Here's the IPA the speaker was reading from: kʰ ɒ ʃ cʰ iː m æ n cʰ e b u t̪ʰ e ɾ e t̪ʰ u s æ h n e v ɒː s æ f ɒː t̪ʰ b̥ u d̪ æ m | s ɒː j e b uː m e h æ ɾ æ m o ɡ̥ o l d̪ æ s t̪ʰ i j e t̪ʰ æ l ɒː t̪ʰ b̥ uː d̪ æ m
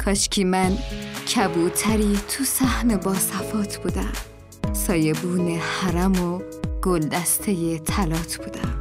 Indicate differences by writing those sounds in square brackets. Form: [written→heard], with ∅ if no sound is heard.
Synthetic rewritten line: kʰ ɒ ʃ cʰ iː m æ n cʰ [e→æ] b u t̪ʰ [e→æ] ɾ [e→i] t̪ʰ u s æ h n e [v→b] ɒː s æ f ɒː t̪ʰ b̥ u d̪ æ m | s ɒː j e b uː [m→n] e h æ ɾ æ m o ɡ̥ o l d̪ æ s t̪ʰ [i→e] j e t̪ʰ æ l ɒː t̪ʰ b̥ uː d̪ æ m